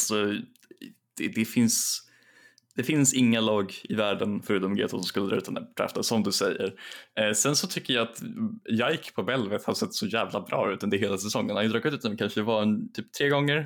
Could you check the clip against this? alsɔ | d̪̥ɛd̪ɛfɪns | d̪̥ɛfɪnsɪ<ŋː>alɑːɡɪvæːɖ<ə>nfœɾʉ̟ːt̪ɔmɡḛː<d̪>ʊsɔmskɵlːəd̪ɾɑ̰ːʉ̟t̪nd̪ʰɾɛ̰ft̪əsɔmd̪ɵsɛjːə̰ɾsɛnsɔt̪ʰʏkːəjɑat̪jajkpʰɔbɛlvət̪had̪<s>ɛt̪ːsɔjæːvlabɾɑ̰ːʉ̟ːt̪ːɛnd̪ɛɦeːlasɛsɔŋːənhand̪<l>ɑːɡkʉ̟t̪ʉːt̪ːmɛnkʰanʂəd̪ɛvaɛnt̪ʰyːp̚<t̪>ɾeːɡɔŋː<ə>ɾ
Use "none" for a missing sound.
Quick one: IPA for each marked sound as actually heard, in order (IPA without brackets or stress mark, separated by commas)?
ŋː, ə, t̪, s, ɾ, t̪ʰ, ə